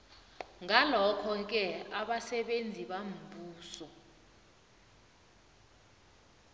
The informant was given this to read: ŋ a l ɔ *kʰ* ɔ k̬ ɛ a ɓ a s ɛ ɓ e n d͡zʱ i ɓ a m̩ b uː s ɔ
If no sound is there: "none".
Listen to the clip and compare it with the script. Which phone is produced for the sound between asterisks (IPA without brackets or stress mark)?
kʰ